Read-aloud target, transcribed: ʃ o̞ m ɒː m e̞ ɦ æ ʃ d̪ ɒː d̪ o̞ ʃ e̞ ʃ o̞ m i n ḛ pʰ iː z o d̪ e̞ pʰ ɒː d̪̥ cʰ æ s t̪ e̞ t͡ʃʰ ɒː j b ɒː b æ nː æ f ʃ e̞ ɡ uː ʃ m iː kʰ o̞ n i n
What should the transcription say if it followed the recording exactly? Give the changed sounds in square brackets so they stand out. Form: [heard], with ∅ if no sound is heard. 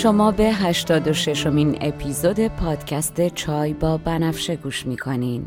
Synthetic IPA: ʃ o̞ m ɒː [b] e̞ ɦ æ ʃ [t̪] ɒː d̪ o̞ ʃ e̞ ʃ o̞ m i n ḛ pʰ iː z o d̪ e̞ pʰ ɒː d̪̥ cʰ æ s t̪ e̞ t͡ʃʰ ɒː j b ɒː b æ [n] æ f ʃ e̞ ɡ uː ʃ m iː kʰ o̞ n i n